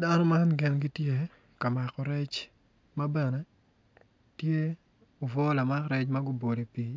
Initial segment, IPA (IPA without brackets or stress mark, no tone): d